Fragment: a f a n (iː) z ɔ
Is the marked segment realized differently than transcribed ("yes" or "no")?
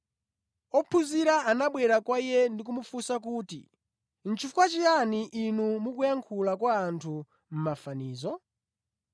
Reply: no